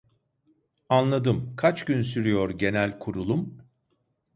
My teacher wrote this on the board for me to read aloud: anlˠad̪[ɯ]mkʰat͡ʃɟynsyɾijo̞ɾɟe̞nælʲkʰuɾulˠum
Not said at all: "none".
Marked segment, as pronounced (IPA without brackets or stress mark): ɯ